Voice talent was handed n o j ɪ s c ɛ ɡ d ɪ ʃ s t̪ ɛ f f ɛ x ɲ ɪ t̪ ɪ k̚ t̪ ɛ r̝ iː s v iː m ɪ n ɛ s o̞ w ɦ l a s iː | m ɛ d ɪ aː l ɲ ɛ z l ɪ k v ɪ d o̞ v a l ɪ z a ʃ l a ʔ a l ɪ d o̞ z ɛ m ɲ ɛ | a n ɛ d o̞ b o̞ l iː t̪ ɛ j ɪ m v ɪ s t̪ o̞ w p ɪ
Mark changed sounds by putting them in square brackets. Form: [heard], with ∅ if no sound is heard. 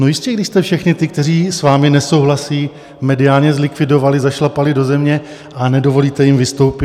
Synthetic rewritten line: n o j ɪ s c ɛ ɡ d ɪ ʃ s t̪ ɛ f [ʃ] ɛ x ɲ ɪ t̪ ɪ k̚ t̪ ɛ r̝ iː s v [aː] m ɪ n ɛ s o̞ w ɦ l a s iː | m ɛ d ɪ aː l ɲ ɛ z l ɪ k v ɪ d o̞ v a l ɪ z a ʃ l a [p] a l ɪ d o̞ z ɛ m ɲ ɛ | a n ɛ d o̞ [v] o̞ l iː t̪ ɛ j ɪ m v ɪ s t̪ o̞ w p ɪ